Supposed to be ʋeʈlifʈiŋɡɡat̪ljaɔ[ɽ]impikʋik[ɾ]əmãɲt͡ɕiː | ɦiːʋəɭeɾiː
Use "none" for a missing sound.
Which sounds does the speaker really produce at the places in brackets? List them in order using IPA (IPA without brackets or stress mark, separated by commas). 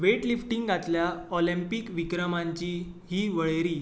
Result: l, ɾ